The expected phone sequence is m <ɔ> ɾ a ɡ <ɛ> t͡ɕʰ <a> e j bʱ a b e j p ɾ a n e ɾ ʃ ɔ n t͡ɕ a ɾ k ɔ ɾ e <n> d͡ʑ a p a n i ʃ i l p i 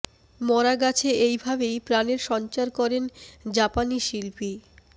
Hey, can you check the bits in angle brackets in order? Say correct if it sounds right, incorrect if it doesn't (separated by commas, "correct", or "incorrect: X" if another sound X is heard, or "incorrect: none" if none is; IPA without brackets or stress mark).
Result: correct, incorrect: a, incorrect: e, correct